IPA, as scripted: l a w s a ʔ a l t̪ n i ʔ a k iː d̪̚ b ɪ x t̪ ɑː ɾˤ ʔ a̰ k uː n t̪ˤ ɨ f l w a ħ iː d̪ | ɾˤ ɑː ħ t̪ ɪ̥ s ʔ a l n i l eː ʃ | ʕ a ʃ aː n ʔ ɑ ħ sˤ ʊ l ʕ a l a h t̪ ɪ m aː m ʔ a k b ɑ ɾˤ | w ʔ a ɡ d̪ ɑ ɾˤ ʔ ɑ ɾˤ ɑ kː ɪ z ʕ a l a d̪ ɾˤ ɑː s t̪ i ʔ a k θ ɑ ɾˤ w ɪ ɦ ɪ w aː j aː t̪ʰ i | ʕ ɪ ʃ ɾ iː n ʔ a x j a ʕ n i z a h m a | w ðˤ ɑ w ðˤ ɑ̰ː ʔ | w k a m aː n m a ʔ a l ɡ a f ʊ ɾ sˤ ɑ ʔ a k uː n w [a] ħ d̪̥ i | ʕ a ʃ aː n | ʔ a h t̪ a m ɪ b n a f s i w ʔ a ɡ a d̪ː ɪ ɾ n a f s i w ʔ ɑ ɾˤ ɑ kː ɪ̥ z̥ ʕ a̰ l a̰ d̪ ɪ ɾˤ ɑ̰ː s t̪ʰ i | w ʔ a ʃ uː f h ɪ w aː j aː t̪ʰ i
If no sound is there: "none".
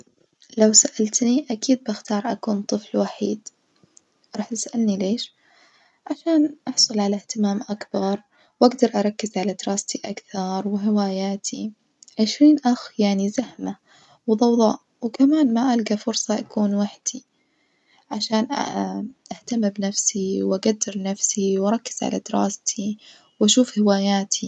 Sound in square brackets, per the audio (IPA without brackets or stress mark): a